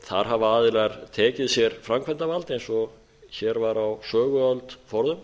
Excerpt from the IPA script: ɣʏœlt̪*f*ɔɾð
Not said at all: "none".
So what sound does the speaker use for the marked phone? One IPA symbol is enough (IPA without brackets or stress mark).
f